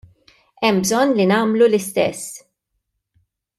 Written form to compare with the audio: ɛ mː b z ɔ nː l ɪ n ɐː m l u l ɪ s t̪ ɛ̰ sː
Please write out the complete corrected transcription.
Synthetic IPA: ɛ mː b z ɔ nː l i n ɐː m l u l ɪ s t̪ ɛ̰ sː